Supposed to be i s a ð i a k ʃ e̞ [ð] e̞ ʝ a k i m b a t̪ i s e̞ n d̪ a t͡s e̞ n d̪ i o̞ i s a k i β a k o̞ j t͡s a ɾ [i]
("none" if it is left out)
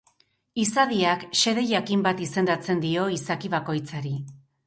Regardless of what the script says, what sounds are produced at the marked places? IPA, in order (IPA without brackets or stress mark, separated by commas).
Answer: ð, i